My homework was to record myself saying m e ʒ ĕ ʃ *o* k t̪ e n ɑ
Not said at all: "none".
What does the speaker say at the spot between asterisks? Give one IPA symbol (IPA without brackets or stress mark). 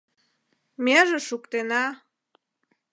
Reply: u